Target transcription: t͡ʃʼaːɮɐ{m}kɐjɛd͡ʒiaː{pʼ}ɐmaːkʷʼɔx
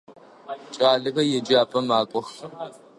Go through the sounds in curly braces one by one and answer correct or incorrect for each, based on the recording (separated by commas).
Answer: incorrect, correct